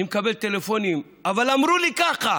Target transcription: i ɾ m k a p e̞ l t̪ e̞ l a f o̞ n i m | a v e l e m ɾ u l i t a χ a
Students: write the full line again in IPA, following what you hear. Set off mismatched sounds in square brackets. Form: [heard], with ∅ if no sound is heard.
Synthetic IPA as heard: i [∅] m k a [b] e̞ l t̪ e̞ l [e] f o̞ n i m | a v [a] l [a] m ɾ u l i [k] a χ a